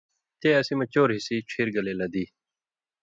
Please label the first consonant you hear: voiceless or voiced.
voiceless